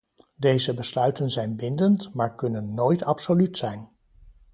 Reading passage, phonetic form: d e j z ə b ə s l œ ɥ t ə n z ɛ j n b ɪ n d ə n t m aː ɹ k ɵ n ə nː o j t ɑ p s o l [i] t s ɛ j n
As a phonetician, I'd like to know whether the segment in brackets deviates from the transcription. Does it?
yes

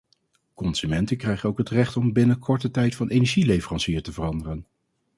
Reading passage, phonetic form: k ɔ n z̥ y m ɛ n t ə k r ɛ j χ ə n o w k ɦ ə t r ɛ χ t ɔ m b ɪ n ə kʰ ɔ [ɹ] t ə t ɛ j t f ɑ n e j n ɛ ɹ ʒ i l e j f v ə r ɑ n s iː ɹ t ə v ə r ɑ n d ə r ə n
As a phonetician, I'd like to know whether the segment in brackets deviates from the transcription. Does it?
no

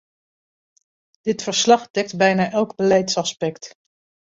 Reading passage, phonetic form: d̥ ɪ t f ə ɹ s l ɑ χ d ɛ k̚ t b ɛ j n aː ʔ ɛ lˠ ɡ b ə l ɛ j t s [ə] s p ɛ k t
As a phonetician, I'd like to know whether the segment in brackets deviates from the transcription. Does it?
yes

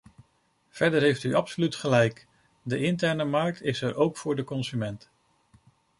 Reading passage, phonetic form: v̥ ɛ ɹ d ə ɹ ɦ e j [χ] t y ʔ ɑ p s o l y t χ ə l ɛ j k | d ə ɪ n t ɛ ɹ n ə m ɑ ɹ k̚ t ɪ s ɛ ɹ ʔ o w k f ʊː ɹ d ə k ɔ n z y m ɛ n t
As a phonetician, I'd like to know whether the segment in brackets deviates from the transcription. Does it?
yes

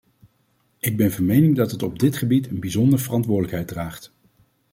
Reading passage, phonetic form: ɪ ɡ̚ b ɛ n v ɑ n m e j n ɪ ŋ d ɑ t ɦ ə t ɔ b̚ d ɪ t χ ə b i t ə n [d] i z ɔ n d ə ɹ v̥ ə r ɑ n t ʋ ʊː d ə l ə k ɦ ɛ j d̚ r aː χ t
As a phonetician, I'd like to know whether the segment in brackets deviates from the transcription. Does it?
yes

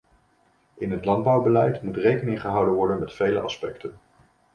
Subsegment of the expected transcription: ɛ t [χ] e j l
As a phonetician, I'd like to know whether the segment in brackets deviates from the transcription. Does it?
yes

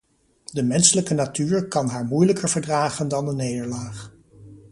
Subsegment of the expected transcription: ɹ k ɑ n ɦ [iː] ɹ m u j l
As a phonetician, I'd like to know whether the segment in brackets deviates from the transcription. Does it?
yes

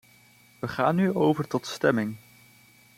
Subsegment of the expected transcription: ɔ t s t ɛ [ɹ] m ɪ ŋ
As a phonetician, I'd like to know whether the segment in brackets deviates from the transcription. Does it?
yes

